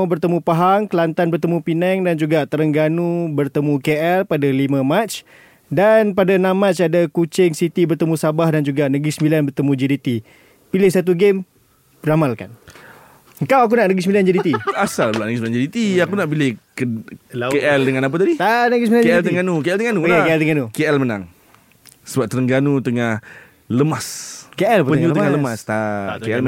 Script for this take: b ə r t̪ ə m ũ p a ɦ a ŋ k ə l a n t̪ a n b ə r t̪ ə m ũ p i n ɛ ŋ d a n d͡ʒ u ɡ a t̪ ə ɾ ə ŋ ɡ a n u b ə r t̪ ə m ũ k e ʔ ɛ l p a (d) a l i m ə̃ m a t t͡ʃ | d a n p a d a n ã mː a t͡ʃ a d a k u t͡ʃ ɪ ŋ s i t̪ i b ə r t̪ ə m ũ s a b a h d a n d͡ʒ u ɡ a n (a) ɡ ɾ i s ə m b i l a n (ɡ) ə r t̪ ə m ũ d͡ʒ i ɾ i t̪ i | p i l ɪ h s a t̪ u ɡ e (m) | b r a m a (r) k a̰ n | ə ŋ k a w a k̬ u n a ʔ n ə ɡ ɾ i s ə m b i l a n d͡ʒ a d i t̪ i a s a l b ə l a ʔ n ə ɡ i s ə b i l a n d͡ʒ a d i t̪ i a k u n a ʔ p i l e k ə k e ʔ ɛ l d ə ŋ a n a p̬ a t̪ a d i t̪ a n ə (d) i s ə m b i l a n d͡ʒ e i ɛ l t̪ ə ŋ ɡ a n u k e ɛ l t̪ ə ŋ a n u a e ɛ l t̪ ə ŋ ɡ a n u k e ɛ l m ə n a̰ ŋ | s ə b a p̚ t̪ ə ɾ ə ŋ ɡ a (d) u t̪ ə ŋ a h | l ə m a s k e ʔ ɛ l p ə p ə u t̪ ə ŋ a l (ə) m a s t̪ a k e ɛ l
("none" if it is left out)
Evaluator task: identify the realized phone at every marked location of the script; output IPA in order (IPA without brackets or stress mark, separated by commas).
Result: d, ə, b, m, l, ɡ, n, ə